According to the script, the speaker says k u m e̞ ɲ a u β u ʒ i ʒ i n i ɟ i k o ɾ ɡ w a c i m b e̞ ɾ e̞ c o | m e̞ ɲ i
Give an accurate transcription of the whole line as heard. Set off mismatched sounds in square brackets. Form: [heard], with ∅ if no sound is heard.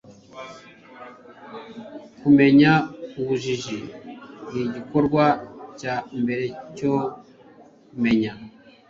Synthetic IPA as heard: k u m e̞ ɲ a u β u ʒ i ʒ i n i ɟ i k o ɾ ɡ w a c [a] m b e̞ ɾ e̞ c o | m e̞ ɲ [a]